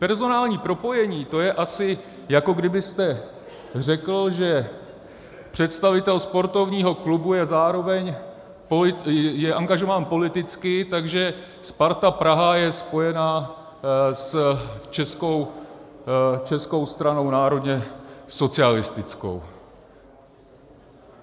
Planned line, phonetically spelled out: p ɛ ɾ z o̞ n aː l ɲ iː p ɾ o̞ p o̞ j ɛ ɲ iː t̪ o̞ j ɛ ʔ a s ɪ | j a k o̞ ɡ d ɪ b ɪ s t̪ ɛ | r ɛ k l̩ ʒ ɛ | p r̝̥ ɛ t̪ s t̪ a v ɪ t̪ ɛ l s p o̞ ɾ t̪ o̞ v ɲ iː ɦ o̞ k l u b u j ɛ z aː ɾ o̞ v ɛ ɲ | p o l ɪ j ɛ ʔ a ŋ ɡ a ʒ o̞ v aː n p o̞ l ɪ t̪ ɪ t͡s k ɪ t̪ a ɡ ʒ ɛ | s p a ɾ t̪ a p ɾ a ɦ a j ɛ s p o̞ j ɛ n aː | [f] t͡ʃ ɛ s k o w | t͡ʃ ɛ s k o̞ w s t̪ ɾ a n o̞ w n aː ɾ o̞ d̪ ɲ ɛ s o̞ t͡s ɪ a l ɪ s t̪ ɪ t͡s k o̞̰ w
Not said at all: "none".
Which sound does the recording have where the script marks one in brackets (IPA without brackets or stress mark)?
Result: s